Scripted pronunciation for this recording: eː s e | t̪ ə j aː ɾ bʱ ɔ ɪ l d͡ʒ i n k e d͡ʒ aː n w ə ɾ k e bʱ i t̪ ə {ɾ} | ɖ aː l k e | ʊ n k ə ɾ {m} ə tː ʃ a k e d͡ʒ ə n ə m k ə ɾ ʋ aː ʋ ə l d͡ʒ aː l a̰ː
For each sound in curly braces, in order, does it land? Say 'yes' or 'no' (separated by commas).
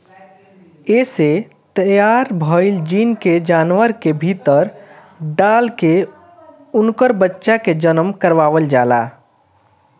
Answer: yes, no